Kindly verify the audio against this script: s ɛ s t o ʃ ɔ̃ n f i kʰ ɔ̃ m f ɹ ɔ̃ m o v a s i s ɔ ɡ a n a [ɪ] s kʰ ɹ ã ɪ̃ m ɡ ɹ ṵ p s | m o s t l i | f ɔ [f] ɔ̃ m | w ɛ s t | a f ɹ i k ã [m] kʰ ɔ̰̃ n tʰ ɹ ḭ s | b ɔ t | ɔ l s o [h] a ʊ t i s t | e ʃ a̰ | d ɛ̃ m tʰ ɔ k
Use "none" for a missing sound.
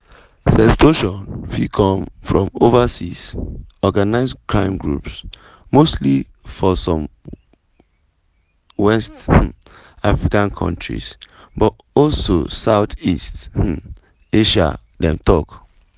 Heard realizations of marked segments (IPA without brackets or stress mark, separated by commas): ɪ, s, n, s